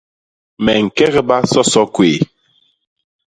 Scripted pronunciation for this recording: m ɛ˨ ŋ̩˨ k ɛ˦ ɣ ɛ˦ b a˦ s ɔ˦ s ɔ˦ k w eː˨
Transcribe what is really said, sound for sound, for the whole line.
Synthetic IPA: m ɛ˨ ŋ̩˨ k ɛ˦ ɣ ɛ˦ b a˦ s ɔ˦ s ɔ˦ k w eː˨